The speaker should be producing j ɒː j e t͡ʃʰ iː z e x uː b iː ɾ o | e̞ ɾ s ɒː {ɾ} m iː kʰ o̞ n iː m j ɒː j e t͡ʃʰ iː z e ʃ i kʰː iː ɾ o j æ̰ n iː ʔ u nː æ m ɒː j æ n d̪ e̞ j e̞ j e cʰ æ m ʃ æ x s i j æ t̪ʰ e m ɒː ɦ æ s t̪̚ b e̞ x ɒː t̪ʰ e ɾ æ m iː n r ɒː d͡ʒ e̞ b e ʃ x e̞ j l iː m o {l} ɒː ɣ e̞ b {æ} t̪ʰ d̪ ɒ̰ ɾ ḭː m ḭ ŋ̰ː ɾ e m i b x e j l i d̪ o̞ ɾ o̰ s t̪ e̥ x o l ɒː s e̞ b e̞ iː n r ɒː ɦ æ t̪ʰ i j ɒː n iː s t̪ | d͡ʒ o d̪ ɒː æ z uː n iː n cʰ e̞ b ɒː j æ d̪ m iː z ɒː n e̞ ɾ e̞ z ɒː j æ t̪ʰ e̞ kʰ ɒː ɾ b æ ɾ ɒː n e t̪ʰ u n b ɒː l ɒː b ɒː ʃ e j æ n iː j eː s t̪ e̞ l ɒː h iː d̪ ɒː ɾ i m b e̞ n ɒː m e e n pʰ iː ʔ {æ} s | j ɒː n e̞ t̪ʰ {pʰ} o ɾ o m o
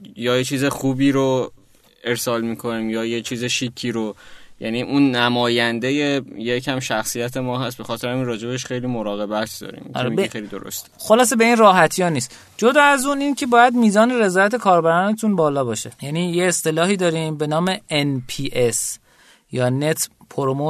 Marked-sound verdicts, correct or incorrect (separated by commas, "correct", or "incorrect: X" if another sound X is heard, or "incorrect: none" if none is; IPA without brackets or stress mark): incorrect: l, incorrect: ɾ, correct, incorrect: e, correct